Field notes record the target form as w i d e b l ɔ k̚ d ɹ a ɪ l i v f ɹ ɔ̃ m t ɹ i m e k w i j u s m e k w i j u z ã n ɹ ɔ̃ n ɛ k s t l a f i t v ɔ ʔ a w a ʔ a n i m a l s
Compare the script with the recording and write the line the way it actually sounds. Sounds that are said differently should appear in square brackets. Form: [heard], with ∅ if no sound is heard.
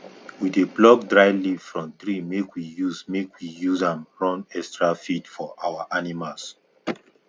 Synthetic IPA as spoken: w i d e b l ɔ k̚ d ɹ a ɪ l i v f ɹ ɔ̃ m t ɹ i m e k w i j u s m e k w i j u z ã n ɹ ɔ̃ n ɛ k s t [ɹ] a f i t [f] ɔ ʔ a w a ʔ a n i m a l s